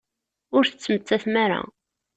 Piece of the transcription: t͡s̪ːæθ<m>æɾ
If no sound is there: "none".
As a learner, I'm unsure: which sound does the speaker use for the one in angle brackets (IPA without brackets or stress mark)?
m